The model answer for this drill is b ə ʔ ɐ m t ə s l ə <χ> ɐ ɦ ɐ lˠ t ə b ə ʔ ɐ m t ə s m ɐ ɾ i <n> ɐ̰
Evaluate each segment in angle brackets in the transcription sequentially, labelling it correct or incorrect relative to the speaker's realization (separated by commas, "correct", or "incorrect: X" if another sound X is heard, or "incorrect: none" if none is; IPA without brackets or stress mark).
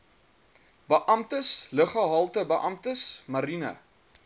correct, correct